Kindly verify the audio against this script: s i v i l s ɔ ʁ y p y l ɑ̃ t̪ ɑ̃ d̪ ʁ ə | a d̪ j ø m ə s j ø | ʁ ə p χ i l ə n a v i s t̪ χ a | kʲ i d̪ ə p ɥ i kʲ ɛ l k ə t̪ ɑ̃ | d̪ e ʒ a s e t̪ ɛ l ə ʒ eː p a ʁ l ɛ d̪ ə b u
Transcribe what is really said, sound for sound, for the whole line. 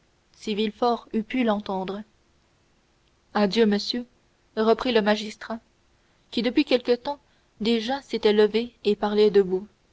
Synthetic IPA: s i v i l f ɔ ʁ y p y l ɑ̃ t̪ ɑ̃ d̪ ʁ ə | a d̪ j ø m ə s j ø | ʁ ə p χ i l ə m a ʒ i s t̪ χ a | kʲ i d̪ ə p ɥ i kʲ ɛ l k ə t̪ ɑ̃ | d̪ e ʒ a s e t̪ ɛ l ə v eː p a ʁ l ɛ d̪ ə b u